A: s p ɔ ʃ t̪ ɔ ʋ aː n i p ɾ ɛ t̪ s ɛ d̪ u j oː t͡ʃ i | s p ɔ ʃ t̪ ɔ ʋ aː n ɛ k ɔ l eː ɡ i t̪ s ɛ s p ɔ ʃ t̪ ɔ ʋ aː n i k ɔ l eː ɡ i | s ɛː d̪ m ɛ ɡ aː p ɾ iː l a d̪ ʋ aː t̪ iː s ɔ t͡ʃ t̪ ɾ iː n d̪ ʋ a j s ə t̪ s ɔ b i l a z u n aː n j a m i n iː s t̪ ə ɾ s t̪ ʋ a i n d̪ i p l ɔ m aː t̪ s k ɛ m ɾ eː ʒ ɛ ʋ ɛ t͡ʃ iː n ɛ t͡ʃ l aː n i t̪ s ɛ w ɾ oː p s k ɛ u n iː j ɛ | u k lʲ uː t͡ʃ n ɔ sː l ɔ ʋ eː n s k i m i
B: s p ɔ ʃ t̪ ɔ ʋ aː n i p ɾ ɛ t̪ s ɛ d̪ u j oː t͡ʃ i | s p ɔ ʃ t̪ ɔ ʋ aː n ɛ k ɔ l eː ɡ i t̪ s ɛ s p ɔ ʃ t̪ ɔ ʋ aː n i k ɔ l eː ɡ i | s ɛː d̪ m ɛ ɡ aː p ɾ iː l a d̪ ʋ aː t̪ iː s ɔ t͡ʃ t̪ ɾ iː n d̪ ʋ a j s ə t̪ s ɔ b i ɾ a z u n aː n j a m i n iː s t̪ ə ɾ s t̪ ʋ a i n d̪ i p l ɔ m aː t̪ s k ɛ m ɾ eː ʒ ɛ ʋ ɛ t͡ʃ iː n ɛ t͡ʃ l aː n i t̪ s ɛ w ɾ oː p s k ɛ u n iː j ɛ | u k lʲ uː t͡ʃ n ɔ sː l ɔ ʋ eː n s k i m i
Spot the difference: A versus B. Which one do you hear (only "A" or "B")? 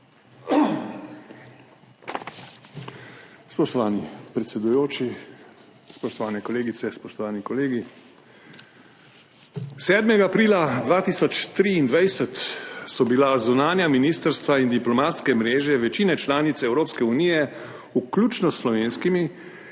A